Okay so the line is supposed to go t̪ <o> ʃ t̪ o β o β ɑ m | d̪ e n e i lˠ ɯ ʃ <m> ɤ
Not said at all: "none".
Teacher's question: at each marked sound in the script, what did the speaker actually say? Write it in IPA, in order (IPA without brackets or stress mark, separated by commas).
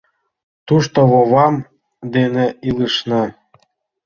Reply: u, n